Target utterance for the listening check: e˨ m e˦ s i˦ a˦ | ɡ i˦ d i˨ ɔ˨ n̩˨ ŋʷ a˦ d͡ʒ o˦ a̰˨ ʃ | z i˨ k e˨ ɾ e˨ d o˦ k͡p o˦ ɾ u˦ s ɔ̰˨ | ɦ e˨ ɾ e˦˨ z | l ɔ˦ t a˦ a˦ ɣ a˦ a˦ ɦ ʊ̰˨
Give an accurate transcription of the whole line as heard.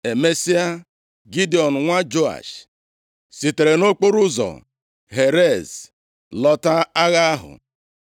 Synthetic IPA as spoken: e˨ m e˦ s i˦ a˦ | ɡ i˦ d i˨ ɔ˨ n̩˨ ŋʷ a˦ d͡ʒ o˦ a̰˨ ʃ | s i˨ t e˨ ɾ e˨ n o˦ k͡p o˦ ɾ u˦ z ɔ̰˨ | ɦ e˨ ɾ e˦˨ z | l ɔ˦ t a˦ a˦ ɣ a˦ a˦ ɦ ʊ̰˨